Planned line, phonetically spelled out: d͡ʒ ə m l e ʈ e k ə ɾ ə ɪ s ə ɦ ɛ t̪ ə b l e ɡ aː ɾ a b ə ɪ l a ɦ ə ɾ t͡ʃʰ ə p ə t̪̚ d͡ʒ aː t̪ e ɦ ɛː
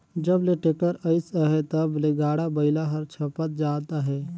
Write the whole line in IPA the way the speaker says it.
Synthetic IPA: d͡ʒ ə b l e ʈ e k ə ɾ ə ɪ s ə ɦ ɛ t̪ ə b l e ɡ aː ɽ a b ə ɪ l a ɦ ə ɾ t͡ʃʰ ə p ə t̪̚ d͡ʒ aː t̪ a ɦ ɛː